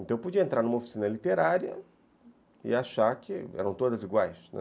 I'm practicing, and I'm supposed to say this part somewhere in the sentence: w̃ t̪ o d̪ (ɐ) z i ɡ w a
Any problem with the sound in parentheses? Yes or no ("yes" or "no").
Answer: no